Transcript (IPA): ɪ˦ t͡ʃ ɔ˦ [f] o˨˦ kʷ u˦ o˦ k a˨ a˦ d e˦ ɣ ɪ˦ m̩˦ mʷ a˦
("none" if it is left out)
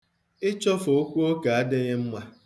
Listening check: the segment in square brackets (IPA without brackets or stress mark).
f